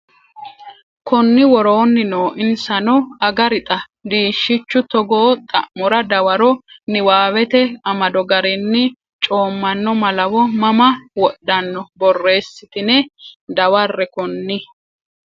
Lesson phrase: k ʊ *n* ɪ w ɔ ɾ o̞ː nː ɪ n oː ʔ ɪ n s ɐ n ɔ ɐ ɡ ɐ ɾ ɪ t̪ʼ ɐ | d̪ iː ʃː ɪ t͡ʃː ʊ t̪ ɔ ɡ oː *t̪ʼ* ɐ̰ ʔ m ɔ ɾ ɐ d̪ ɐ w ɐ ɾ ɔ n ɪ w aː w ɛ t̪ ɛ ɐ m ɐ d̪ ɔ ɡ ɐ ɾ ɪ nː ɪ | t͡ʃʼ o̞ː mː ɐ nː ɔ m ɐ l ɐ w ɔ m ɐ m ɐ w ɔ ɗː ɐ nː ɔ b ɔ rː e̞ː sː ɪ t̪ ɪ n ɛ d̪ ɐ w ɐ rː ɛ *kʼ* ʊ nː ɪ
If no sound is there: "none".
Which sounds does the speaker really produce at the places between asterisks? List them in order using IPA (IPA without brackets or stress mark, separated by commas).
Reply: nː, t̪ʼ, k